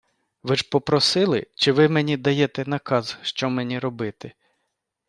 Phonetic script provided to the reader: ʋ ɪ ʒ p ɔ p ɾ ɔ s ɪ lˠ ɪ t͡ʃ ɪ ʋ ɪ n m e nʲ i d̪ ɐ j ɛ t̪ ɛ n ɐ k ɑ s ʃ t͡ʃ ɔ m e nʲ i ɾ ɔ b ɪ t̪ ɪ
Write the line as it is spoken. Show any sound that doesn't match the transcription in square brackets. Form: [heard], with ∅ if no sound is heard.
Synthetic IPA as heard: ʋ ɪ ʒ p ɔ p ɾ ɔ s ɪ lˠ ɪ t͡ʃ ɪ ʋ ɪ [∅] m e nʲ i d̪ ɐ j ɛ t̪ ɛ n ɐ k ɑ [z] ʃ t͡ʃ ɔ m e nʲ i ɾ ɔ b ɪ t̪ ɪ